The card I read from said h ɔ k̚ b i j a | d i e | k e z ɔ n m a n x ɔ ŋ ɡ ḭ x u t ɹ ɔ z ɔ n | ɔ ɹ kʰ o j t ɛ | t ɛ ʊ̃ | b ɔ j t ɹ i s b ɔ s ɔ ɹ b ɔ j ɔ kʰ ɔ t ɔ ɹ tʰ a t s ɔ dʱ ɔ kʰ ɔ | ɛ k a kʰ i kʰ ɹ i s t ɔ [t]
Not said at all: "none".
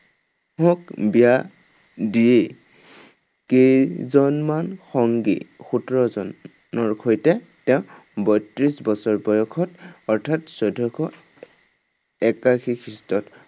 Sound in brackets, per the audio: t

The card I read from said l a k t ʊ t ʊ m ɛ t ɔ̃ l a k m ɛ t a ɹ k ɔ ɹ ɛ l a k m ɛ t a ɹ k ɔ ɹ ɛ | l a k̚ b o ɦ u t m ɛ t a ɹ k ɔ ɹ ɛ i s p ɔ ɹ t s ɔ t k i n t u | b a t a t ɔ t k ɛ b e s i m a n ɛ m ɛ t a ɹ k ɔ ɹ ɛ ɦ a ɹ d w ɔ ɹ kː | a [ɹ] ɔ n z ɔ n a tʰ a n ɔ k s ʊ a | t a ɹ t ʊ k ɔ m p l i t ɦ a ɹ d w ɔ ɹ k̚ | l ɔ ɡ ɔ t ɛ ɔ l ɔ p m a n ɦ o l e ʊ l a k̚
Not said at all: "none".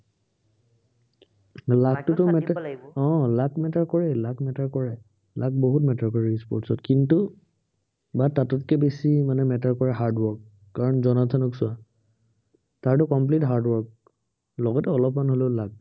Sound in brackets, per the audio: ɹ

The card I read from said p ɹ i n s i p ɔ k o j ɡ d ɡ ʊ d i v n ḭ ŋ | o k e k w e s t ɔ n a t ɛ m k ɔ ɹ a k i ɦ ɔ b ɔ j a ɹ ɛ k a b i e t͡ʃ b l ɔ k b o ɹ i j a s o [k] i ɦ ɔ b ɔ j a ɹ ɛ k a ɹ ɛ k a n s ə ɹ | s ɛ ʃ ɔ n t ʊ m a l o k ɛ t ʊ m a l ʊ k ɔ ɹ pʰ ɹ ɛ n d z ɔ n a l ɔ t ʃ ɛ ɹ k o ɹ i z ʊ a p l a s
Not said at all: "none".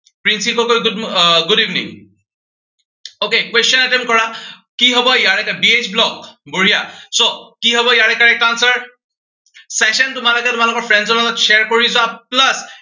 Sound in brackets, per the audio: k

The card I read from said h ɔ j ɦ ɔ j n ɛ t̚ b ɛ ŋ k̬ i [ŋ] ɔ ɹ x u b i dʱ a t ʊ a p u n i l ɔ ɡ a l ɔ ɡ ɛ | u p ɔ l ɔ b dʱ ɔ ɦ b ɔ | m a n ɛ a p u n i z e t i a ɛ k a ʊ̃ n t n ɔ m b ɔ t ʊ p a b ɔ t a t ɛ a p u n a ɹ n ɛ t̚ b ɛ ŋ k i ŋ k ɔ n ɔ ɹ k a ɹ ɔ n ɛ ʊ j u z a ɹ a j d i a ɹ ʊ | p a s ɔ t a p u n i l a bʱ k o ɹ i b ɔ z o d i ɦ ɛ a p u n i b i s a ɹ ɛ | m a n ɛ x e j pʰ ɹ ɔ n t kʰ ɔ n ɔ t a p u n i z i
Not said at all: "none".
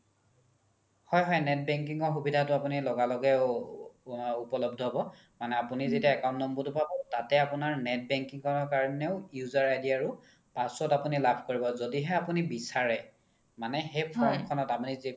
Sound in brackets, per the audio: ŋ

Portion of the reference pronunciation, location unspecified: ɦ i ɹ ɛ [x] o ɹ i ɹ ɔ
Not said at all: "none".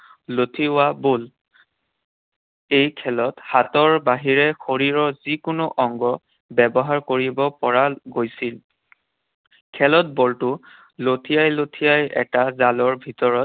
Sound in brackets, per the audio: x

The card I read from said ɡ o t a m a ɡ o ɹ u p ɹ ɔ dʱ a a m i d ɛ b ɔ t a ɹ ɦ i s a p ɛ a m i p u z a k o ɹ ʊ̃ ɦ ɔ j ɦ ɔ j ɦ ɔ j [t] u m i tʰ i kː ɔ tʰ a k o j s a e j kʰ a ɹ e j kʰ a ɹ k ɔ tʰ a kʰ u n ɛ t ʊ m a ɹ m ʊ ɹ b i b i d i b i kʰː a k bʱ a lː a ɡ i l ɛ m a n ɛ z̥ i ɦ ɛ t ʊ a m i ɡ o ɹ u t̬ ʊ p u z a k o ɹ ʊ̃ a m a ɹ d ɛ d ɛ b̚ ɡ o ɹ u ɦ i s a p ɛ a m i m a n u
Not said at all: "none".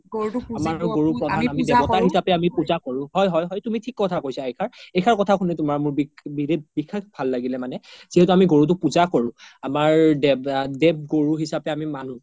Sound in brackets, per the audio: t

